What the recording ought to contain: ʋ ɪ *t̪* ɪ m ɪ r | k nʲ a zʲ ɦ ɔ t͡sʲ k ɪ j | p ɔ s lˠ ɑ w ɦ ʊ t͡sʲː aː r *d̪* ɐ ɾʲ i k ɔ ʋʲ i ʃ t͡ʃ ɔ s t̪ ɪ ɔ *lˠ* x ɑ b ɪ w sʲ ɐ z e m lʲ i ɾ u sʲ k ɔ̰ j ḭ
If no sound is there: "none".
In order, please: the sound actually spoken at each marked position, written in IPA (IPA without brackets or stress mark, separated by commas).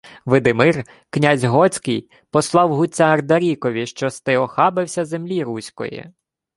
d̪, d̪, none